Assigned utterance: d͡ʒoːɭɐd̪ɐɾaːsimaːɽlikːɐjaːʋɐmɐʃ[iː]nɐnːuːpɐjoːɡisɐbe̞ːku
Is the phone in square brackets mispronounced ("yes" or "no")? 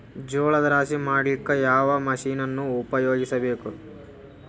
no